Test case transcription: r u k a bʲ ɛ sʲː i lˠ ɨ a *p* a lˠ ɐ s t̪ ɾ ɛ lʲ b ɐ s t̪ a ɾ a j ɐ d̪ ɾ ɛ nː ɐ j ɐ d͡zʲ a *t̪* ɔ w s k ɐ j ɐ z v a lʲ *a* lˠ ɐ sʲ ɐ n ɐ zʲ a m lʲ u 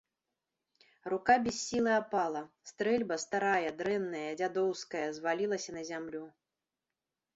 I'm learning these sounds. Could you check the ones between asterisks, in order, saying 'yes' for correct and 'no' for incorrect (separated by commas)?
yes, no, no